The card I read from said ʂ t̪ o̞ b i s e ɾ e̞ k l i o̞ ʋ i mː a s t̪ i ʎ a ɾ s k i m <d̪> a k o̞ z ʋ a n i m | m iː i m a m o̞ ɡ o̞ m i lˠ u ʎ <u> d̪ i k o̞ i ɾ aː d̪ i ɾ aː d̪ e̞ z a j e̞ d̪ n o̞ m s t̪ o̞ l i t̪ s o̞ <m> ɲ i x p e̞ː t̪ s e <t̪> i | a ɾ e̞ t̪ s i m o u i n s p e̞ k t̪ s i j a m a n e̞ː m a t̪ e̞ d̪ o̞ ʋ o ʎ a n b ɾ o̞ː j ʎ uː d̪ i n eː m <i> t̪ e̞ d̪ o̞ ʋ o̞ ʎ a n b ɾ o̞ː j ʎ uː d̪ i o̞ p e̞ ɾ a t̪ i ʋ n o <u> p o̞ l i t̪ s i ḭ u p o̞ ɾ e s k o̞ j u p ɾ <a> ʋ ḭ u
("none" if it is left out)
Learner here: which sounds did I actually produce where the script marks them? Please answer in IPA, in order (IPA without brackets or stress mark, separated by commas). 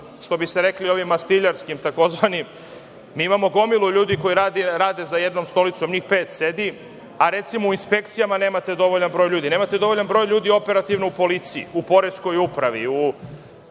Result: t̪, uː, m, d̪, a, u, a